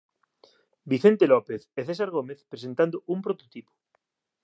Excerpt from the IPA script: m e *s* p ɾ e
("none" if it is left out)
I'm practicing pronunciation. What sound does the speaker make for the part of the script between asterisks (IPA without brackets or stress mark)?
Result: θ